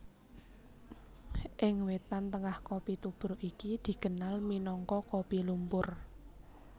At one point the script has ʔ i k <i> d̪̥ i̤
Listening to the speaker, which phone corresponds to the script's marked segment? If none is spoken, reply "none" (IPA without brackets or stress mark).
i